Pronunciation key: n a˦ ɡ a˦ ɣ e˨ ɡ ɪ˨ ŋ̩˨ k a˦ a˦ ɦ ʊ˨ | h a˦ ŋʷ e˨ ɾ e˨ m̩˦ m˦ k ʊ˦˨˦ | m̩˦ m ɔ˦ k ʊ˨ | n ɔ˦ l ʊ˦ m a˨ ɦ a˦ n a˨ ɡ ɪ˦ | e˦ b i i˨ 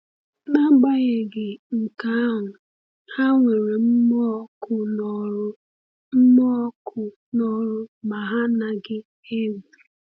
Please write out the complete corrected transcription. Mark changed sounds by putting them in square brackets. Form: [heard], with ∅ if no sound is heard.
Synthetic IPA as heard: n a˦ [ɡ͡b] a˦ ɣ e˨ ɡ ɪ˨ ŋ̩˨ k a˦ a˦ ɦ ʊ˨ | h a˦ ŋʷ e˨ ɾ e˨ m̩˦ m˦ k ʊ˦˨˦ | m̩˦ m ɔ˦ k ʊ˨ | n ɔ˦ [ɾ] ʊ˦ m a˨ ɦ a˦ n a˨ ɡ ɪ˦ | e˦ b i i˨